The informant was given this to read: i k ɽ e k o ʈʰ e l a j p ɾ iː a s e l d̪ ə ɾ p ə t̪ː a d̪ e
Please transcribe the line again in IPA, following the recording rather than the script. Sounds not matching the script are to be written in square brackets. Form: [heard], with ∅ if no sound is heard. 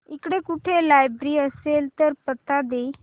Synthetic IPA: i k ɽ e k [u] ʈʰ e l a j [b] ɾ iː [ə] s e l [t̪] ə ɾ p ə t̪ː a d̪ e